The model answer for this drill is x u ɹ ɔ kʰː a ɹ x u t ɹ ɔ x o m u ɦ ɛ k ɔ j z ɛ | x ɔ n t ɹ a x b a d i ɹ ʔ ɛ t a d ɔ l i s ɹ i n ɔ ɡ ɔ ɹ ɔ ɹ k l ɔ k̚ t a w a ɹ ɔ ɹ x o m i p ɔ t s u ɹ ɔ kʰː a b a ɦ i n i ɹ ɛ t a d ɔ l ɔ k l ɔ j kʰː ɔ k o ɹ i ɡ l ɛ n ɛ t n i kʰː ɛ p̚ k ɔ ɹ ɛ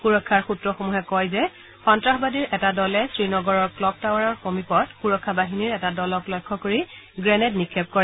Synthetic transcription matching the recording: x u ɹ ɔ kʰː a ɹ x u t ɹ ɔ x o m u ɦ ɛ k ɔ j z ɛ | x ɔ n t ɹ a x b a d i ɹ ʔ ɛ t a d ɔ l ɛ s ɹ i n ɔ ɡ ɔ ɹ ɔ ɹ k l ɔ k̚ t a w a ɹ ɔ ɹ x o m i p ɔ t x u ɹ ɔ kʰː a b a ɦ i n i ɹ ɛ t a d ɔ l ɔ k l ɔ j kʰː ɔ k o ɹ i ɡ ɹ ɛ n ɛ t n i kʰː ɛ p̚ k ɔ ɹ ɛ

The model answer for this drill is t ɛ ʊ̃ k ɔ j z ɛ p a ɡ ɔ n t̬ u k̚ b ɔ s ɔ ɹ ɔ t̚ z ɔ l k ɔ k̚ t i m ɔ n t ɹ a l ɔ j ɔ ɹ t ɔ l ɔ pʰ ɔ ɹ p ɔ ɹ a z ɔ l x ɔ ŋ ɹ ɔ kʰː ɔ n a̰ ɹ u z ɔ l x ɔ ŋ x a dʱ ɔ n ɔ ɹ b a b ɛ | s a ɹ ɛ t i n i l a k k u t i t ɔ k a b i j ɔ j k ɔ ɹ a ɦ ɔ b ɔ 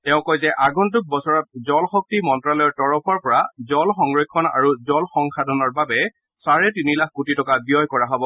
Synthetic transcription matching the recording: t ɛ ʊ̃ k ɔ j z ɛ ʔ a ɡ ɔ n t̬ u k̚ b ɔ s ɔ ɹ ɔ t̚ z ɔ l x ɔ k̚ t i m ɔ n t ɹ a l ɔ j ɔ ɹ t ɔ ɹ ɔ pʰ ɔ ɹ p ɔ ɹ a z ɔ l x ɔ ŋ ɹ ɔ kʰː ɔ n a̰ ɹ u z ɔ l x ɔ ŋ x a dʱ ɔ n ɔ ɹ b a b ɛ | s a ɹ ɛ t i n i l a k k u t i t ɔ k a b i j ɔ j k ɔ ɹ a ɦ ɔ b ɔ

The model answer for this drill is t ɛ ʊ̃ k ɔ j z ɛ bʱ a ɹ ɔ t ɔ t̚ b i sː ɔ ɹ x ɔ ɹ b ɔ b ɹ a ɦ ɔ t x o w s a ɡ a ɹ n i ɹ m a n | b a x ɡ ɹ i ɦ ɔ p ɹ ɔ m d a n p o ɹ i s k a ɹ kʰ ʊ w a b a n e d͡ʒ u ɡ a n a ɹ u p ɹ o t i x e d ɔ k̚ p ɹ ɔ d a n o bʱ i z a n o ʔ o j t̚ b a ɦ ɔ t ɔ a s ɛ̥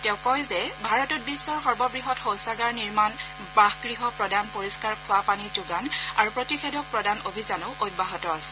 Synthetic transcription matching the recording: t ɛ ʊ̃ k ɔ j z ɛ bʱ a ɹ ɔ t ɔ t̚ b i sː ɔ ɹ x ɔ ɹ b ɔ b ɹ i ɦ ɔ t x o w s a ɡ a ɹ n i ɹ m a n | b a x ɡ ɹ i ɦ ɔ p ɹ ɔ d a n p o ɹ i s k a ɹ kʰ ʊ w a p a n i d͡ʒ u ɡ a n a ɹ u p ɹ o t i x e d ɔ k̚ p ɹ ɔ d a n o bʱ i z a n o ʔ o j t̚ b a ɦ ɔ t ɔ a s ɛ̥

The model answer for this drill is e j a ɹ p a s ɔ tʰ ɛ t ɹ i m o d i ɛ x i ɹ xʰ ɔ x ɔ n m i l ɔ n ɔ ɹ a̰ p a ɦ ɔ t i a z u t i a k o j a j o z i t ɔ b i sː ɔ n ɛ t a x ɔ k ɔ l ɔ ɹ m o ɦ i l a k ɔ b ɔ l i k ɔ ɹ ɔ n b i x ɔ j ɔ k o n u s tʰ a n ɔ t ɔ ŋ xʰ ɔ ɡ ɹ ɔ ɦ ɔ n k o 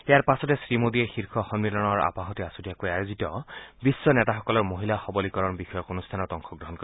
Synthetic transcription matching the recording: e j a ɹ p a s ɔ t ɛ s ɹ i m o d i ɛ x i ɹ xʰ ɔ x ɔ n m i l ɔ n ɔ ɹ a̰ p a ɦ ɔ t i a s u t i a k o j a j o z i t ɔ b i sː ɔ n ɛ t a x ɔ k ɔ l ɔ ɹ m o ɦ i l a x ɔ b ɔ l i k ɔ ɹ ɔ n b i x ɔ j ɔ k o n u s tʰ a n ɔ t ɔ ŋ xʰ ɔ ɡ ɹ ɔ ɦ ɔ n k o

